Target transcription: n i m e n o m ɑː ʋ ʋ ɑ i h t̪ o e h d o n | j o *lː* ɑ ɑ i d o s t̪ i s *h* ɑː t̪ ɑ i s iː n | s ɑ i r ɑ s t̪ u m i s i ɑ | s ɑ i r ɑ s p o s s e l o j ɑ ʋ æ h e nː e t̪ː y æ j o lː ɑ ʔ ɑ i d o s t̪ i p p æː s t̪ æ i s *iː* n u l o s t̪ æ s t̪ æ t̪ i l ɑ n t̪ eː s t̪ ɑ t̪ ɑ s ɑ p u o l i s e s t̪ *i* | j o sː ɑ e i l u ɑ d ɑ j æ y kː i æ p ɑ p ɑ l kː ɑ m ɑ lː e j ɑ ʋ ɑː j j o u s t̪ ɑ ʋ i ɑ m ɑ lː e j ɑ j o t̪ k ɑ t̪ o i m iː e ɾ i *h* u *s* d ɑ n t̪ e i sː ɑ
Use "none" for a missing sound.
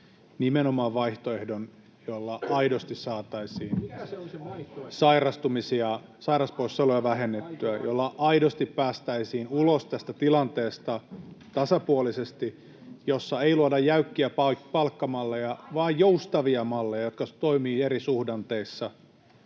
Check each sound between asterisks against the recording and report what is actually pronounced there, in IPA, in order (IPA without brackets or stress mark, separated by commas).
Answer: lː, s, iː, i, s, h